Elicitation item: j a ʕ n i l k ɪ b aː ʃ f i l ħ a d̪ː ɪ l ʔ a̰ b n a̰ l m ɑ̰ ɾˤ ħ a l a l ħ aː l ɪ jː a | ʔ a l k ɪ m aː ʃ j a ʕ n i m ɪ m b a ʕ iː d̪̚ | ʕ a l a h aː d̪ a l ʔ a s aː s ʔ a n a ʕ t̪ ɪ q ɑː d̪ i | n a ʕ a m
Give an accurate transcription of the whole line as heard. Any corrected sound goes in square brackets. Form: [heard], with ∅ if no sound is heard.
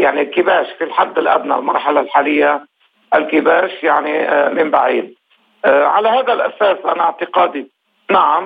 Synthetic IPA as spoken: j a ʕ n i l k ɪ b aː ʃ f i l ħ a d̪ː ɪ l ʔ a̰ b n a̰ l m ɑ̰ ɾˤ ħ a l a l ħ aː l ɪ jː a | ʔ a l k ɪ [b] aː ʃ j a ʕ n i m ɪ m b a ʕ iː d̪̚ | ʕ a l a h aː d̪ a l ʔ a s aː s ʔ a n a ʕ t̪ ɪ q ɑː d̪ i | n a ʕ a m